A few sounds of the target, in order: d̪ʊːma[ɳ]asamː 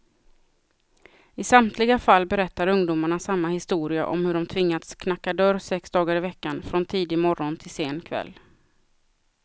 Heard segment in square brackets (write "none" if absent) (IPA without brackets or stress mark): ɳ